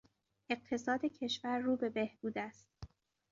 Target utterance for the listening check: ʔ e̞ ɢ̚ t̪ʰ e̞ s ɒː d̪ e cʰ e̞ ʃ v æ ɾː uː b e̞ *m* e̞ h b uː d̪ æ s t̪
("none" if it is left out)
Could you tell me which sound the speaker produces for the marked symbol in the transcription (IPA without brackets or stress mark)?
b